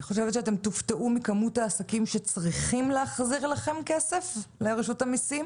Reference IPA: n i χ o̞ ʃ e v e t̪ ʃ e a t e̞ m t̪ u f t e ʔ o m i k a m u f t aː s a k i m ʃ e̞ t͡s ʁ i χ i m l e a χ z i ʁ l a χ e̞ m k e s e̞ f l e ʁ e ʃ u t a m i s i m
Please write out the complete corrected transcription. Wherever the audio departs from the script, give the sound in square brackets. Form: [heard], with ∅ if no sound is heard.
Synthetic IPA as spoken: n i χ o̞ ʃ e v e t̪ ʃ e a t e̞ m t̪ u f t e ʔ [u] m i k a m u [∅] t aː s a k i m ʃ e̞ t͡s ʁ i χ i m l e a χ z i ʁ l a χ e̞ m k e s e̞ f l e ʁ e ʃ u t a m i s i m